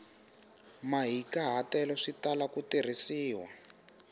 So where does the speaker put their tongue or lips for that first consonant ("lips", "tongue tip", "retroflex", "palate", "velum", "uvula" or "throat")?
lips